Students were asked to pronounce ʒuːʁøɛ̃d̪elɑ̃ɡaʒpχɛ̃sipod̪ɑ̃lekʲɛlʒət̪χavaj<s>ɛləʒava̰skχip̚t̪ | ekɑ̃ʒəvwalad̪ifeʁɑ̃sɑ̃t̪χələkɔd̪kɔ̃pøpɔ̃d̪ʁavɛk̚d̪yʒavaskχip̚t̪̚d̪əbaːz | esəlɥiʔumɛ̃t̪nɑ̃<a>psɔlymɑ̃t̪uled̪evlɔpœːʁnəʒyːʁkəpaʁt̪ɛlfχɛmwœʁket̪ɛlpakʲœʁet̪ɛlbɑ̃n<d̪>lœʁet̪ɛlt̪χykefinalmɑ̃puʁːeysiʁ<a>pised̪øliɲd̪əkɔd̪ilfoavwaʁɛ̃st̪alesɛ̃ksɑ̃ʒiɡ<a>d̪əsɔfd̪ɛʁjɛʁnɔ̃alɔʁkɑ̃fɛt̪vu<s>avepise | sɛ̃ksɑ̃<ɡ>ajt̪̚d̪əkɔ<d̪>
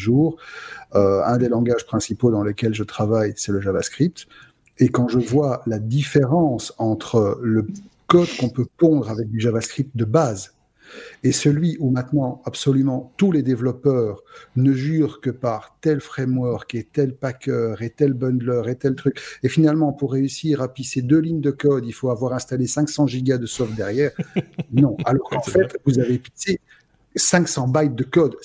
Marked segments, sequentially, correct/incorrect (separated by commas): correct, correct, correct, correct, correct, incorrect, incorrect, correct